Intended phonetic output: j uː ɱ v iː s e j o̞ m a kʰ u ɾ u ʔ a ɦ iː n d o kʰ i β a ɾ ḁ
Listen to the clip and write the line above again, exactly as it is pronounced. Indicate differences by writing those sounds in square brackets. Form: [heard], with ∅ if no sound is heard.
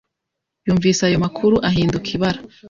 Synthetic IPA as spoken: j uː ɱ v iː s [a] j o̞ m a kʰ u ɾ u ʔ a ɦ iː n d [u] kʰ i β a ɾ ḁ